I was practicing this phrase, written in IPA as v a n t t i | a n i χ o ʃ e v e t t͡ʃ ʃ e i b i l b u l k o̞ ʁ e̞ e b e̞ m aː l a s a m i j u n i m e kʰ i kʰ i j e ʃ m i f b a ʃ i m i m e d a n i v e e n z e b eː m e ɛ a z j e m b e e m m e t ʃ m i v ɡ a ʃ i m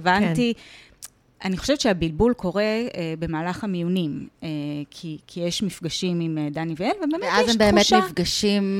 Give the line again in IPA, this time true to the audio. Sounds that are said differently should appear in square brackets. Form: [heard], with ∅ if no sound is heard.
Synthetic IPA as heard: v a n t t i | a n i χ o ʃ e v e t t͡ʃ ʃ e [a] b i l b u l k o̞ ʁ e̞ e b e̞ m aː l a [χ] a m i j u n i m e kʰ i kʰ i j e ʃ m i f [ɡ] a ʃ i m i m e d a n i v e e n [v] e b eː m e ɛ a z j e m b e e m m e t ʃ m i [f] ɡ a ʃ i m